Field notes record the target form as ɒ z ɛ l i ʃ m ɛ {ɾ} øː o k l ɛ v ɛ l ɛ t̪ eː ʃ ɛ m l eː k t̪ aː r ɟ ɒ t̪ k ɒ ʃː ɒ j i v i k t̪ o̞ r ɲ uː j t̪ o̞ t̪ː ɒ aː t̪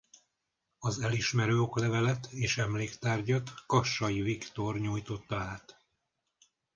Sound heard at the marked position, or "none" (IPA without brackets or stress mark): ɾ